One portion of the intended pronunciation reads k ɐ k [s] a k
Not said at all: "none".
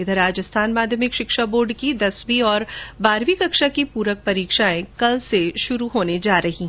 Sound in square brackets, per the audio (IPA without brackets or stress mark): ʃ